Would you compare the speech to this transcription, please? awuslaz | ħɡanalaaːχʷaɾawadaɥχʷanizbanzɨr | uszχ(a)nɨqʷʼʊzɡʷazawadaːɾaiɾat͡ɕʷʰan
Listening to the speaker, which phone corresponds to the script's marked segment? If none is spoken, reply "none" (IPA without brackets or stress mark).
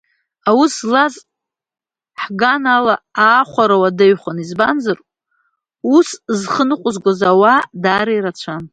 ə